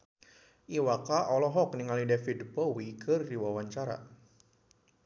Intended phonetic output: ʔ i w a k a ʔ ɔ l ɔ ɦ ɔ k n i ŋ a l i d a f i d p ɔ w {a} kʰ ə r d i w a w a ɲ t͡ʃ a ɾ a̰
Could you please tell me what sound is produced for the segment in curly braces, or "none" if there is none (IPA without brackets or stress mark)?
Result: i